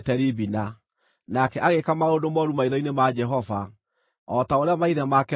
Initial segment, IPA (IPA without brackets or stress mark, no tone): t